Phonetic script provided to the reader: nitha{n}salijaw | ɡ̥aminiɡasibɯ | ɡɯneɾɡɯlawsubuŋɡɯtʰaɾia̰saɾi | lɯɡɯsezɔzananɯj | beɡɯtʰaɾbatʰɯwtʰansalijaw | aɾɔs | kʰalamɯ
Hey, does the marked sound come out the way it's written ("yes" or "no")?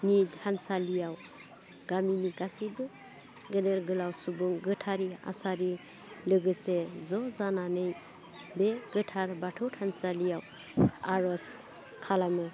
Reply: yes